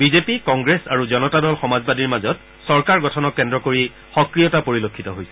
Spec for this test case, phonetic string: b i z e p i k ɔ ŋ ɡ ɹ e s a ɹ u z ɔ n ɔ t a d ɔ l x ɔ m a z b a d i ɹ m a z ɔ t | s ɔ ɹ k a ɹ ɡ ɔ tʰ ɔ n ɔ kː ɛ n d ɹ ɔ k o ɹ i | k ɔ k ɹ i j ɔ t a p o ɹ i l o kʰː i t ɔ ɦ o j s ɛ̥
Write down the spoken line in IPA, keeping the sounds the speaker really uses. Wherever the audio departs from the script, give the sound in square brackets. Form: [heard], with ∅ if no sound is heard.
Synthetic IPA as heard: b i z e p i k ɔ ŋ ɡ ɹ e s a ɹ u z ɔ n ɔ t a d ɔ l x ɔ m a z b a d i ɹ m a z ɔ t | s ɔ ɹ k a ɹ ɡ ɔ tʰ ɔ n ɔ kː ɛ n d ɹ ɔ k o ɹ i | [x] ɔ k ɹ i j ɔ t a p o ɹ i l o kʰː i t ɔ ɦ o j s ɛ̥